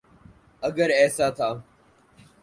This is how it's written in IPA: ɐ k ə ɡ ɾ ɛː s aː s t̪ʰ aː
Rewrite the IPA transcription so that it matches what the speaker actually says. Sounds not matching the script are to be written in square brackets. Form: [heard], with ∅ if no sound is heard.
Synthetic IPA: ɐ [ɡ] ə [∅] ɾ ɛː s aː [∅] t̪ʰ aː